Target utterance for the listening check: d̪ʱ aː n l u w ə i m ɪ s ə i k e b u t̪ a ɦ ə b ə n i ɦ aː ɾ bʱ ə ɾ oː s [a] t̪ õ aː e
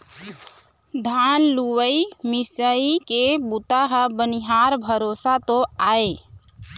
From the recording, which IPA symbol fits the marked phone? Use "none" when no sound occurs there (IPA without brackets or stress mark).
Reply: a